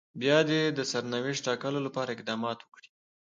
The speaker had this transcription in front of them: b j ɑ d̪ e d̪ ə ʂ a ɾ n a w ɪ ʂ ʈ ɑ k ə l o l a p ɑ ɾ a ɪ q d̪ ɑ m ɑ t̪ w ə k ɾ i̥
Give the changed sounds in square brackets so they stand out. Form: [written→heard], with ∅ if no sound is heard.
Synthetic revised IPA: b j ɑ d̪ e d̪ ə [ʂ→s] a ɾ n a w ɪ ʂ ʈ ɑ k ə l o l a p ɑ ɾ a ɪ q d̪ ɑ m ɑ t̪ w ə k [ɾ→ɽ] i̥